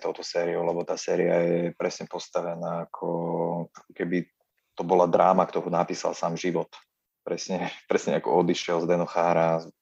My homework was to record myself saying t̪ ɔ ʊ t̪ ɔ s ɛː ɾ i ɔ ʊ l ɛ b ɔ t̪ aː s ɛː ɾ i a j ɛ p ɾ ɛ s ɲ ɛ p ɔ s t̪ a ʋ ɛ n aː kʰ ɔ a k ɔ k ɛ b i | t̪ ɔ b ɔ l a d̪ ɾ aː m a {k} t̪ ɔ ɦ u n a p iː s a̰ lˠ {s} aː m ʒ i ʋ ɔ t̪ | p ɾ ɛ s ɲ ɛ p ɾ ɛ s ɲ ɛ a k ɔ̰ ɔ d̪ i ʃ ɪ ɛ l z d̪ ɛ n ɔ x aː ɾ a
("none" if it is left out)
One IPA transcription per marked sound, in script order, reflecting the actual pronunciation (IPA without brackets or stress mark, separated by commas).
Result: k, s